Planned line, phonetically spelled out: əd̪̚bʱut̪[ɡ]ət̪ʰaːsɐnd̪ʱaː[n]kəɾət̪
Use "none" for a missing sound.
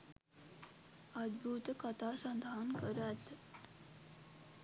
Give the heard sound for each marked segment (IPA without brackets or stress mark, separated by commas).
k, n